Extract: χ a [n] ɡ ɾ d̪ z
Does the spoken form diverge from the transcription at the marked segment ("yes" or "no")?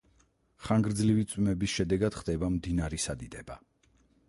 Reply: yes